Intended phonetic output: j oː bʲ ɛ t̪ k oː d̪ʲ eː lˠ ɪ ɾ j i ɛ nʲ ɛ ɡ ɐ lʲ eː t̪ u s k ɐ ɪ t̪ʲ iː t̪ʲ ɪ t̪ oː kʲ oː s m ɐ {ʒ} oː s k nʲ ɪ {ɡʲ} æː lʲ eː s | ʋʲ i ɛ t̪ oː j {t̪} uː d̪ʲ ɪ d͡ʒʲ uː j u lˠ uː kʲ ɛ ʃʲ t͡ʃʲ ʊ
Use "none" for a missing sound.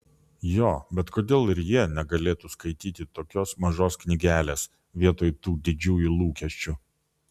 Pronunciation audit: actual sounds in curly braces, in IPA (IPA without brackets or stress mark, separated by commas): ʒ, ɡʲ, t̪